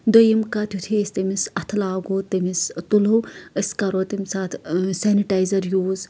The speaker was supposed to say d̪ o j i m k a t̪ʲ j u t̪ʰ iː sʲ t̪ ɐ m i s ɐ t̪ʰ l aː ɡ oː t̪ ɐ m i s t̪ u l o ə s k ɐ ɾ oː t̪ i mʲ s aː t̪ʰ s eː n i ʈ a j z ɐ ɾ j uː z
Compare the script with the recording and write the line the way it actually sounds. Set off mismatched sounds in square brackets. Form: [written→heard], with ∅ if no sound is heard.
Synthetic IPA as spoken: d̪ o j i m k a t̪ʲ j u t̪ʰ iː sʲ t̪ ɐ m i s ɐ t̪ʰ l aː ɡ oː t̪ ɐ m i s t̪ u l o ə s k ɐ ɾ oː t̪ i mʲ s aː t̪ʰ s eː n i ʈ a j z ɐ ɾ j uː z

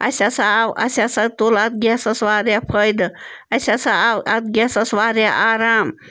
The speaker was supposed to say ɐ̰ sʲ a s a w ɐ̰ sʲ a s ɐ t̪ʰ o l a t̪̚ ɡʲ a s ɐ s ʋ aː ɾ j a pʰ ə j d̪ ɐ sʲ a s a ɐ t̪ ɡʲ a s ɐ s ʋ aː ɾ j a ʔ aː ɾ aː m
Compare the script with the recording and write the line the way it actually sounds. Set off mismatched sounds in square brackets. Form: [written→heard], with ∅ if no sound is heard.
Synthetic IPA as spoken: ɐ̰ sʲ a s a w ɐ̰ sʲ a s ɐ [t̪ʰ→t̪] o l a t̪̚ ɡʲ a s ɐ s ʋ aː ɾ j a pʰ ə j d̪ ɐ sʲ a s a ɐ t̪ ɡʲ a s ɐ s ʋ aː ɾ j a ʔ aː ɾ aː m

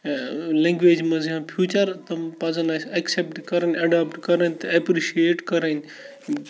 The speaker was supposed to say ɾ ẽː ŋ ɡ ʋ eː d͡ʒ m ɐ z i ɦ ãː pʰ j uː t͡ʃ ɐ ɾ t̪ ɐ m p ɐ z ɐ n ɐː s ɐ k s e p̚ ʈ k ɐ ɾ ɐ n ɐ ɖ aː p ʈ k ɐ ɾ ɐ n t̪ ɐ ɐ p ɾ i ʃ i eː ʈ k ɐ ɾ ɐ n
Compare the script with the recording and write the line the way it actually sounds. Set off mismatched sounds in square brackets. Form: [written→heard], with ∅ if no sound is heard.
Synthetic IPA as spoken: [ɾ→l] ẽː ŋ ɡ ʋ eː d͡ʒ m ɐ z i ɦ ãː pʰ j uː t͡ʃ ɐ ɾ t̪ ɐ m p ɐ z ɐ n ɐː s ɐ k s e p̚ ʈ k ɐ ɾ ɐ n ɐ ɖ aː p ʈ k ɐ ɾ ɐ n t̪ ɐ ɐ p ɾ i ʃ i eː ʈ k ɐ ɾ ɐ n

